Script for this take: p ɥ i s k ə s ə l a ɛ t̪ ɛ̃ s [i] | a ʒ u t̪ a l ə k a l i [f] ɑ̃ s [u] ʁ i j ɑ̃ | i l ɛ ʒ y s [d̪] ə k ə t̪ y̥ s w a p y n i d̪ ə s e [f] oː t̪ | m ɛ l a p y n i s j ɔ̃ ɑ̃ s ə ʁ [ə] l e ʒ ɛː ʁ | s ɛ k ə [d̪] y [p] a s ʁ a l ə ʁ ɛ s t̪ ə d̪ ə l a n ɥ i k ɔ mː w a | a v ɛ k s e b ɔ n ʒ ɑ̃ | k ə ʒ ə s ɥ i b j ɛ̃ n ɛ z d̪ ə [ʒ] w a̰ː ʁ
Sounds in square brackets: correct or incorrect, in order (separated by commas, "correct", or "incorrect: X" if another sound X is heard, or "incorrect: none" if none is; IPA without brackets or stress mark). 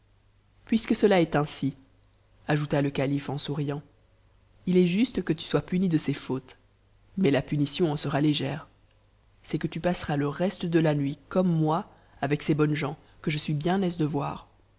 correct, correct, correct, incorrect: t̪, correct, incorrect: a, incorrect: t̪, correct, incorrect: v